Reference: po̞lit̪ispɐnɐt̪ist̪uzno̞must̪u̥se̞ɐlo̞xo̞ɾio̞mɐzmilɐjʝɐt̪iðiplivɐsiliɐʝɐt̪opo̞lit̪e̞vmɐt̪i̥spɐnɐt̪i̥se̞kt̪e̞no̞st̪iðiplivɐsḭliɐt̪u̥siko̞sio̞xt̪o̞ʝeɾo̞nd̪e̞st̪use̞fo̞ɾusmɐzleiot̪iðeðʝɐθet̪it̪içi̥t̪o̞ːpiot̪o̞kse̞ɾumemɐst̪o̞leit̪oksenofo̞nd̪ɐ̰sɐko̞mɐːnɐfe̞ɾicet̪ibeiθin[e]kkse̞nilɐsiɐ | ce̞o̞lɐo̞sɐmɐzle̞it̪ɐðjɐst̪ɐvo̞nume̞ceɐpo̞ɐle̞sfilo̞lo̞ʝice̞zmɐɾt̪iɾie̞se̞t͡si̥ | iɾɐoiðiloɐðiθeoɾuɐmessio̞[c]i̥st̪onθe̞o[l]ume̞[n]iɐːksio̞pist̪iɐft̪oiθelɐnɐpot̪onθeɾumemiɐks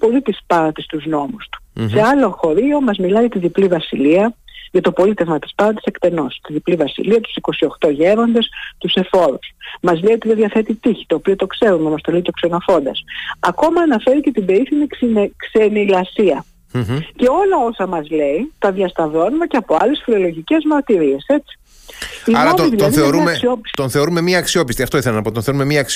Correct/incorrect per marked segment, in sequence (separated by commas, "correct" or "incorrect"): incorrect, incorrect, incorrect, incorrect